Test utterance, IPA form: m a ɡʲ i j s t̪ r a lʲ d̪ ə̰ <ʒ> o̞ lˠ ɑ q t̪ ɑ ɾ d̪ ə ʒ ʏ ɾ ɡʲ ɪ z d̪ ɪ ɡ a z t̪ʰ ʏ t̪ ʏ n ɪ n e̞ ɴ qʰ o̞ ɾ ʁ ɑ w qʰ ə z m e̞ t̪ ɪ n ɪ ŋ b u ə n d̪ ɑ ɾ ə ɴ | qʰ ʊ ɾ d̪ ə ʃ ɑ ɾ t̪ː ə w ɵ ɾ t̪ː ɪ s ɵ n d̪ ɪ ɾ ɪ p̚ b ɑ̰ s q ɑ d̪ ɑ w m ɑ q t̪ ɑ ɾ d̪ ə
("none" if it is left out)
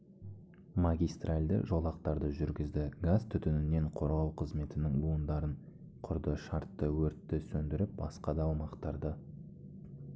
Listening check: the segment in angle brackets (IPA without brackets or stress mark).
ʒ